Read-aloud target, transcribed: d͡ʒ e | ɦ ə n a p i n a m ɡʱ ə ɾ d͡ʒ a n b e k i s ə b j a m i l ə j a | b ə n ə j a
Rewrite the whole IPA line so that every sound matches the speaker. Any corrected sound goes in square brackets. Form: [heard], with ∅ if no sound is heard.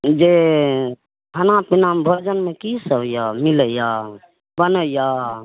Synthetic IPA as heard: d͡ʒ e | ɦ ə n a p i n a m [bʱ] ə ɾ d͡ʒ [ə] n [m] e k i s ə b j a m i l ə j a | b ə n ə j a